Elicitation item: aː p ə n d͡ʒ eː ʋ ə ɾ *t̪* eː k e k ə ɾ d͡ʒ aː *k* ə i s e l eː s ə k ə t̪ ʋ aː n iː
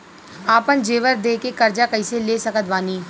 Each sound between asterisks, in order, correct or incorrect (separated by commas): incorrect, correct